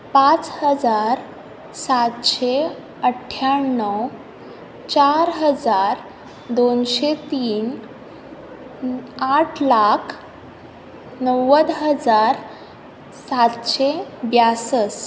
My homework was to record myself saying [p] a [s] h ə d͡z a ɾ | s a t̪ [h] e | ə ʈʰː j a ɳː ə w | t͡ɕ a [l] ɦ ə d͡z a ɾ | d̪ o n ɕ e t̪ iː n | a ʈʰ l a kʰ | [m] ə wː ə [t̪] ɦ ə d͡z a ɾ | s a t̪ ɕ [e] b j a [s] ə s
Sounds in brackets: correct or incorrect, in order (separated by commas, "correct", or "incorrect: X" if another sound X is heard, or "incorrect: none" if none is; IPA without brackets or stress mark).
correct, incorrect: t͡s, incorrect: ɕ, incorrect: ɾ, incorrect: n, incorrect: d̪, correct, correct